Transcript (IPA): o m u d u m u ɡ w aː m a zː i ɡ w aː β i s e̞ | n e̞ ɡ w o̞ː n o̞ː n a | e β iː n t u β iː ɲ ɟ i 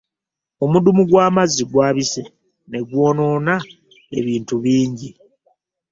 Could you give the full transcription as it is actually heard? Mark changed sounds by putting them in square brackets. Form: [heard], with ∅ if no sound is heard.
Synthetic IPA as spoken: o m u d u m u ɡ w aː m a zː i ɡ w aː β i s e̞ | n e̞ ɡ w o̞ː n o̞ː n a | e β iː n t u β iː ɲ ɟ i